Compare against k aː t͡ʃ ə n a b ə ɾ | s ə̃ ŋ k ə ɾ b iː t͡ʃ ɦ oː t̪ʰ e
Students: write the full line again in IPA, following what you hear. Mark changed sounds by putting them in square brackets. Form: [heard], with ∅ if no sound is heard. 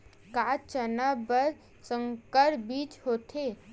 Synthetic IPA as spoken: k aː t͡ʃ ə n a b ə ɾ | s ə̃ ŋ k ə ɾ b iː t͡ʃ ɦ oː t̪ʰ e